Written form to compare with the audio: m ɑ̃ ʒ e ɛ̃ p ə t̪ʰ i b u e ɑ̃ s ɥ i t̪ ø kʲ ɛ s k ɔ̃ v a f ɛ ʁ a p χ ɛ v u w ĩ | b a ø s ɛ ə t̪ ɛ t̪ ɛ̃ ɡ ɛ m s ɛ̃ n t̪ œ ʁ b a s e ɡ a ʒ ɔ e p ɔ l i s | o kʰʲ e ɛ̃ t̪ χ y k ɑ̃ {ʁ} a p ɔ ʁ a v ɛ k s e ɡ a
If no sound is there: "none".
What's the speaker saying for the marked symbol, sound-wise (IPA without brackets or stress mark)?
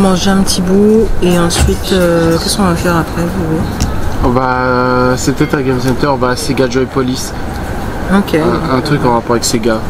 ʁ